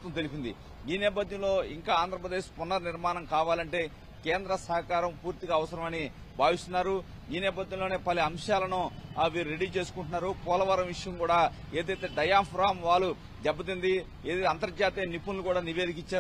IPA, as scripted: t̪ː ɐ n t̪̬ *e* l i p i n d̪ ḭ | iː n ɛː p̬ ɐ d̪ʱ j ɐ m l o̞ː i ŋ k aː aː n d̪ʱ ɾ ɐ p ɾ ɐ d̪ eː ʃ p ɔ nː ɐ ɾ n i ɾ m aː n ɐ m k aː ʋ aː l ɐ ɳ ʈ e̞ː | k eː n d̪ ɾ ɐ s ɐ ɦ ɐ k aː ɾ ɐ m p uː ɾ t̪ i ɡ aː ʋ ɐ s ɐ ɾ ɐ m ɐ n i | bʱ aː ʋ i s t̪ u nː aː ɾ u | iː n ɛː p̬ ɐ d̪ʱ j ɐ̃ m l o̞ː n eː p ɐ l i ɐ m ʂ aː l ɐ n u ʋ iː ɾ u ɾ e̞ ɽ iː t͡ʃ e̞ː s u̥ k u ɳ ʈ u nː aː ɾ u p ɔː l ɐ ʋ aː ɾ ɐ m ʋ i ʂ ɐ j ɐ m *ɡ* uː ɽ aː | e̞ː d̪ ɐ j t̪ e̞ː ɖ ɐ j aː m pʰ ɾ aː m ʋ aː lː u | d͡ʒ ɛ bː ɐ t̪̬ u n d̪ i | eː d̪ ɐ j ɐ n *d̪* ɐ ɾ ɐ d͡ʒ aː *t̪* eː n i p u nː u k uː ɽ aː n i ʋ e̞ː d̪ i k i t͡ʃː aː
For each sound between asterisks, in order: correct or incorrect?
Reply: correct, incorrect, incorrect, correct

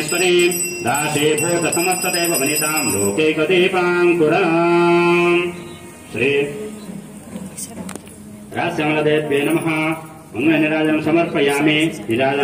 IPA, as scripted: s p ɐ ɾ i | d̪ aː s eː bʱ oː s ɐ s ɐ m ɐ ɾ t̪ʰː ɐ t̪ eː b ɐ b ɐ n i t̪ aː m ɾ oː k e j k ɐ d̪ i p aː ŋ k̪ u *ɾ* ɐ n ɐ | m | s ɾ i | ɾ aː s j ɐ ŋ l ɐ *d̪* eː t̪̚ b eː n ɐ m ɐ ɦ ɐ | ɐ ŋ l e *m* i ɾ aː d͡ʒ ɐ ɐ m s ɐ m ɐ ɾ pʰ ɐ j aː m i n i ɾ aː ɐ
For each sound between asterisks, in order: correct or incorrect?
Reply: correct, correct, incorrect

